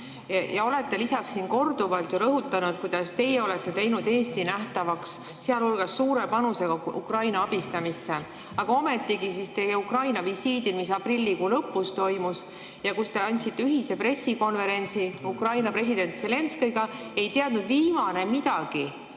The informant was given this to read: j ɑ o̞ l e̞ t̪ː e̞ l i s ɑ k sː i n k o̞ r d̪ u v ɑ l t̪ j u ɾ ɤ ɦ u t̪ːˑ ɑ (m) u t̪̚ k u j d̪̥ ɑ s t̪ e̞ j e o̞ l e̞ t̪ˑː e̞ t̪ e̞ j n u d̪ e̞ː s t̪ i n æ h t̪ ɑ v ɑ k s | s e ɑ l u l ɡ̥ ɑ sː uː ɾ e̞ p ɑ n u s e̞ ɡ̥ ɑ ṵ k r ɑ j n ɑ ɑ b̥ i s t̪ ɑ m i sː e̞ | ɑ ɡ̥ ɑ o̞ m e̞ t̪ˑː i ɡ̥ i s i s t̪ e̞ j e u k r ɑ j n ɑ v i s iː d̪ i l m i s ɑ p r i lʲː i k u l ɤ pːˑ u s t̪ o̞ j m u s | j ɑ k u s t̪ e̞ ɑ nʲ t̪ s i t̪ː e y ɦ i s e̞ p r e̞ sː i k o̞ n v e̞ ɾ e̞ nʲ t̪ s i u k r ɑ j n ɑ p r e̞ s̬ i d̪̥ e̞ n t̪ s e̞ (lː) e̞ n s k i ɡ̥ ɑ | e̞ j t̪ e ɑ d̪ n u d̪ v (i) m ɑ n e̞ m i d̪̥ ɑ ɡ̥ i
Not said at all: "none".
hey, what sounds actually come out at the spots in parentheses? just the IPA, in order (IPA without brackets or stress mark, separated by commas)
n, l, iː